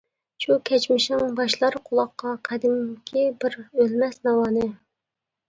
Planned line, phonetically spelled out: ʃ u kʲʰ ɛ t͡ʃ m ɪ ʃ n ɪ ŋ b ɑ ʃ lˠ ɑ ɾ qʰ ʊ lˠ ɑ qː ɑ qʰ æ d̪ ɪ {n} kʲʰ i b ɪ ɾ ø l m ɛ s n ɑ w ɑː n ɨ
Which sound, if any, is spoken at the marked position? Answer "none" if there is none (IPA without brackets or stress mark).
m